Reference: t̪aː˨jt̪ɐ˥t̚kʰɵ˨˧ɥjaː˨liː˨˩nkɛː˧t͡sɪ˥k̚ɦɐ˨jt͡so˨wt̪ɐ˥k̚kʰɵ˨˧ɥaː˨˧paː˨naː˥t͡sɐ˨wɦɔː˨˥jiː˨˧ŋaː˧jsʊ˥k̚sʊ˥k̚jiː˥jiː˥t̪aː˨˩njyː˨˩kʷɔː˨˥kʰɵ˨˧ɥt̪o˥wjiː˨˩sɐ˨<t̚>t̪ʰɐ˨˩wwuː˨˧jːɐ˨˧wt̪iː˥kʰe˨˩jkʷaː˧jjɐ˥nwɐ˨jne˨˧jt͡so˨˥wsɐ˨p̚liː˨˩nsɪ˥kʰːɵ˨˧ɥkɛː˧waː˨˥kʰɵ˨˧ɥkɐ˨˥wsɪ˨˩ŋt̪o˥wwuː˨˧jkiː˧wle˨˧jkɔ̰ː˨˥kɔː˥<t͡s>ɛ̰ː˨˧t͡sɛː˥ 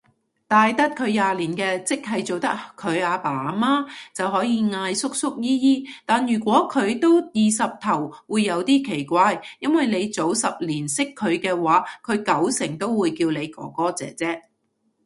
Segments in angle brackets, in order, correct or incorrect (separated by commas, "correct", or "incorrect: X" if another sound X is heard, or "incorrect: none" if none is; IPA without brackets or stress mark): incorrect: p̚, correct